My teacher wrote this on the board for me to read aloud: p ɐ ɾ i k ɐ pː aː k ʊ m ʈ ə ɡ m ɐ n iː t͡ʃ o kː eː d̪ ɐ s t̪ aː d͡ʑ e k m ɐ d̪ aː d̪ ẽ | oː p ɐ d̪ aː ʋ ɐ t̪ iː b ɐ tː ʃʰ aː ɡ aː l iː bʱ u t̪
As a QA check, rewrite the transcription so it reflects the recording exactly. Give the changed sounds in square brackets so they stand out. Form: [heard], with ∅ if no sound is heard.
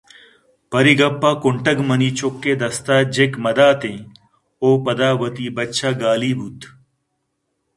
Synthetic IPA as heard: p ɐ ɾ i [ɡ] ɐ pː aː k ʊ [ɳ] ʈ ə ɡ m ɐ n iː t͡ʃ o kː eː d̪ ɐ s t̪ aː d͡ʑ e k m ɐ d̪ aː [t̪] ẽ | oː p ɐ d̪ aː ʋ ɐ t̪ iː b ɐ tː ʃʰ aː ɡ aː l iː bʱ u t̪